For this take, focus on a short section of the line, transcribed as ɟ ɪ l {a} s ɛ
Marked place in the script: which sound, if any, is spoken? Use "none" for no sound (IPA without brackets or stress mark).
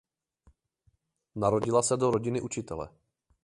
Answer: a